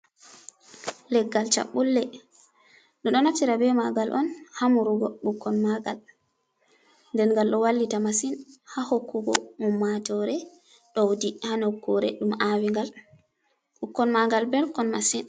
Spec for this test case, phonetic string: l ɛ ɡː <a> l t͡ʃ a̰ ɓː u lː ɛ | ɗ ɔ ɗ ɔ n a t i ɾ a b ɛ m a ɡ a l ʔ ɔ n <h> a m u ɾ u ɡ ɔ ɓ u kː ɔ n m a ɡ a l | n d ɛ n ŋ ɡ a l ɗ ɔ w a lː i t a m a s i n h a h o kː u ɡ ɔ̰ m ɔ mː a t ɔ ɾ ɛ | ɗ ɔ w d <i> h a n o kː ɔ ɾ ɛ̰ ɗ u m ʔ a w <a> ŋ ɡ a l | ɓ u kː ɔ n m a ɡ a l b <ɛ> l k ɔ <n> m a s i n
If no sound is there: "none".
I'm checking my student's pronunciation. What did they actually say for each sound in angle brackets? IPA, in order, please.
a, h, i, i, ɛ, n

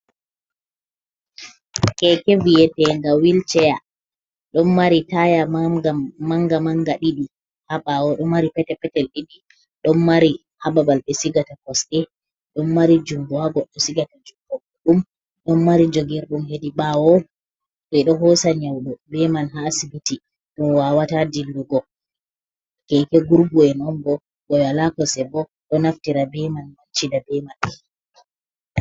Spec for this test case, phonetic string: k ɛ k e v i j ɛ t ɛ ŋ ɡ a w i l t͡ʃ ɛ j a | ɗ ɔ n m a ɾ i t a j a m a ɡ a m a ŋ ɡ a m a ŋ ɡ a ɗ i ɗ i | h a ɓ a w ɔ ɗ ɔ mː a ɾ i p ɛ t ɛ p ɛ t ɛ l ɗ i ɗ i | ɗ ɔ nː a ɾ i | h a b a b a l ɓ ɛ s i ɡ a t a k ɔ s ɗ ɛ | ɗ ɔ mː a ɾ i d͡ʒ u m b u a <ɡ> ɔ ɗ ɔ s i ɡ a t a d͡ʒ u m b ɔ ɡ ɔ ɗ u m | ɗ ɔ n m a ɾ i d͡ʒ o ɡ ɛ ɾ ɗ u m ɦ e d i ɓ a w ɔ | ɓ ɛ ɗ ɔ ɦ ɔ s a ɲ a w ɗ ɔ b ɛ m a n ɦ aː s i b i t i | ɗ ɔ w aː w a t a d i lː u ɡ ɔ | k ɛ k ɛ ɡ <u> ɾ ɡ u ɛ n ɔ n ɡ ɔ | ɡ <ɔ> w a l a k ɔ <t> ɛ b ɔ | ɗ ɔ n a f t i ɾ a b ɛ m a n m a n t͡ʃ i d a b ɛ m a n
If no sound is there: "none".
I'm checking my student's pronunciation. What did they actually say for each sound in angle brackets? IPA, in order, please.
ɡ, u, ɔ, s

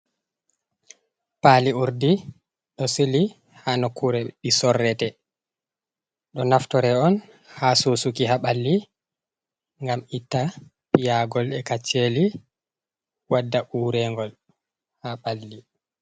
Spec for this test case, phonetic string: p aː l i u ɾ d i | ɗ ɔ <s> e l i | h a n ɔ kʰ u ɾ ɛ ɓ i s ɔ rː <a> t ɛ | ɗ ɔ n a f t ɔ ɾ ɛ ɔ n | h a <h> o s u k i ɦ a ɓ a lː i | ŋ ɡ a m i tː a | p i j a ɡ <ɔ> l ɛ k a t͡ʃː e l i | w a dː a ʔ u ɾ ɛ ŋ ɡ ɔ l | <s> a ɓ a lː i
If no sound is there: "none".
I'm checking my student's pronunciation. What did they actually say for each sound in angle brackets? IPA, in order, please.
s, ɛ, s, ɔ, h

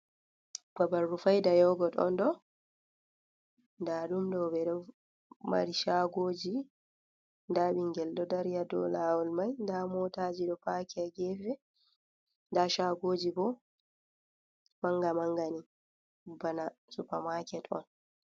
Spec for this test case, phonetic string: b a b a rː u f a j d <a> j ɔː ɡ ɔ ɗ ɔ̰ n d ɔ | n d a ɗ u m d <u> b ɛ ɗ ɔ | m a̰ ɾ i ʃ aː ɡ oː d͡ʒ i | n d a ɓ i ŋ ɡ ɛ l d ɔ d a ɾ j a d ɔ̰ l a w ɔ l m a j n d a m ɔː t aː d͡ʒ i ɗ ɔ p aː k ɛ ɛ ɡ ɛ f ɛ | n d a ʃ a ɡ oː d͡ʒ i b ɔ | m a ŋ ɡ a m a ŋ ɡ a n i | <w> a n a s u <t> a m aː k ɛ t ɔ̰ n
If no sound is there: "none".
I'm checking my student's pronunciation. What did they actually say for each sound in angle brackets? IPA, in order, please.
a, ɔ, b, p

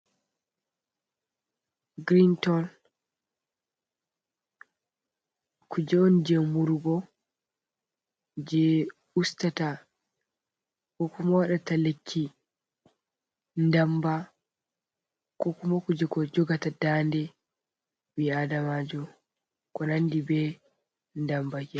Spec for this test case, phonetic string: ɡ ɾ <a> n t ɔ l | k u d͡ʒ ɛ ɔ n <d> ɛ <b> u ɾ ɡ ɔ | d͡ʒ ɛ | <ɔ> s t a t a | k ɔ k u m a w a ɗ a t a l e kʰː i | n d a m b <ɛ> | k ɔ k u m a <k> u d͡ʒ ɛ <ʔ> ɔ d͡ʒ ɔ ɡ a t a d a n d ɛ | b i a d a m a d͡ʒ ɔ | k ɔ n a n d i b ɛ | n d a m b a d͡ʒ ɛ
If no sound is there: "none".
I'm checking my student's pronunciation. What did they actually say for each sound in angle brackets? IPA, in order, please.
i, d͡ʒ, m, u, a, k, k

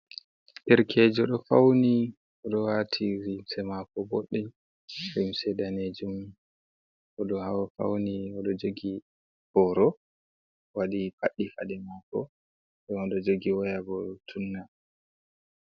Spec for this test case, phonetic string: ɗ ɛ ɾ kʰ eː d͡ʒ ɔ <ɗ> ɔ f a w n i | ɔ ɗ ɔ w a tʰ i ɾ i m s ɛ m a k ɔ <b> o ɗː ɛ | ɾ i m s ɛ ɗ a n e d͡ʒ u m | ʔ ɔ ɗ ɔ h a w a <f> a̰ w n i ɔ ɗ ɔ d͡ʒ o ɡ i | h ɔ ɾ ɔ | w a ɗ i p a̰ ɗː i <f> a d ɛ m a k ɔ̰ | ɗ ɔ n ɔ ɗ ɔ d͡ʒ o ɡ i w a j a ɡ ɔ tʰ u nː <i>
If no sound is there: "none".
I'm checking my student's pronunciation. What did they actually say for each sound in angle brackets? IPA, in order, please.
ɗ, b, f, f, a

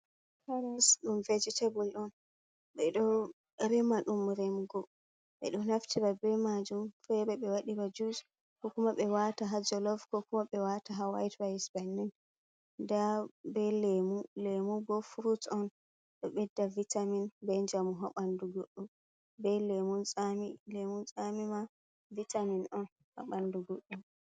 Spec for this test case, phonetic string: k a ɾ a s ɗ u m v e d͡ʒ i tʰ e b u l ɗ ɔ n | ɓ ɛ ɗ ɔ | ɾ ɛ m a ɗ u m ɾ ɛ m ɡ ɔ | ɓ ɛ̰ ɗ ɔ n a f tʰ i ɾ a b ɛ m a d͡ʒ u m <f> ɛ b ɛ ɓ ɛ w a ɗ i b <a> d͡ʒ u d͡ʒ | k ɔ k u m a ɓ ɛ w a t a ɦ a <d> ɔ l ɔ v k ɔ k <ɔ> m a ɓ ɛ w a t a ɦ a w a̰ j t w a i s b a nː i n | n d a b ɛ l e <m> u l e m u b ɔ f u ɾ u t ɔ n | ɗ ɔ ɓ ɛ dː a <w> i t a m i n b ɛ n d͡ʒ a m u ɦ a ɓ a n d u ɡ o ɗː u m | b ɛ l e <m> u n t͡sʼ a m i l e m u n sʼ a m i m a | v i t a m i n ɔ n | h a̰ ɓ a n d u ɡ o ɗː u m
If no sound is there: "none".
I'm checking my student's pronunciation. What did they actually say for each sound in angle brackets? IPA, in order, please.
f, a, d͡ʒ, u, m, v, m

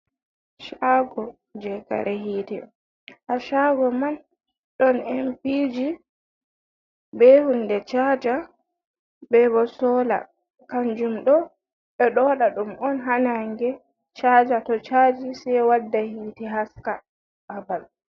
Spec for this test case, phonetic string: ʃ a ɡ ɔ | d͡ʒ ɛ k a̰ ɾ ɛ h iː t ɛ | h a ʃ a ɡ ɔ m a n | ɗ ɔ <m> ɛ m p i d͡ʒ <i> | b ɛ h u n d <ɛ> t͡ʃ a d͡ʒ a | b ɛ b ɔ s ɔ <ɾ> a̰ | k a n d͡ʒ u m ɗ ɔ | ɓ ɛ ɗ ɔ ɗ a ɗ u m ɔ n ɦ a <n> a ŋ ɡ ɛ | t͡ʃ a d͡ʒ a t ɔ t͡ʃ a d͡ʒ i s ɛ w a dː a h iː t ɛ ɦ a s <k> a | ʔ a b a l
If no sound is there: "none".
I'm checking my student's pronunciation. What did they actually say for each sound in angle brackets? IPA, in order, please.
n, i, ɛ, l, n, k

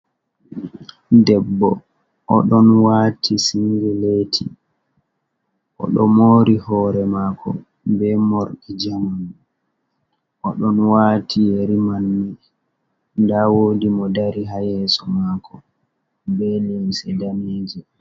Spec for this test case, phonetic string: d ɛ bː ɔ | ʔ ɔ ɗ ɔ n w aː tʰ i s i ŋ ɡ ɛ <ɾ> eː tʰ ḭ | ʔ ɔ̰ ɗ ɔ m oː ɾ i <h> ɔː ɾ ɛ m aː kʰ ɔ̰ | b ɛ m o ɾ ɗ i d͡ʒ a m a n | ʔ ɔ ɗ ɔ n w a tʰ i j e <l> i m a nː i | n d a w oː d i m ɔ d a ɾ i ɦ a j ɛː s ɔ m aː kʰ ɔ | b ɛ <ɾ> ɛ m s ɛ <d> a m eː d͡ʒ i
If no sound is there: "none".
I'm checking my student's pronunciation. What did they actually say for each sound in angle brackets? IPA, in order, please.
l, h, ɾ, l, d

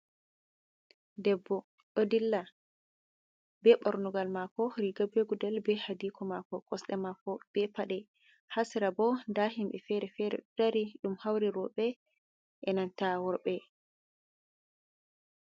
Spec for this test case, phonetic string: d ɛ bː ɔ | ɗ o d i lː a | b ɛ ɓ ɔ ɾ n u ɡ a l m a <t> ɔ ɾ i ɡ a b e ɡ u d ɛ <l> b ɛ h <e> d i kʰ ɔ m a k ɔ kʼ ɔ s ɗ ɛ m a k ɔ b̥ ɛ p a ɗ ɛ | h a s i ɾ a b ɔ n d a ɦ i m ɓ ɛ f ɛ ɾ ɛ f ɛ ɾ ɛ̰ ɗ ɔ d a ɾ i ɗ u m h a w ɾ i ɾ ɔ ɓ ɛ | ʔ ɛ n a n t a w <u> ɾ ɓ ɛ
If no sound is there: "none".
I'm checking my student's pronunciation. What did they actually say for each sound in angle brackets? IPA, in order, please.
k, l, a, ɔ

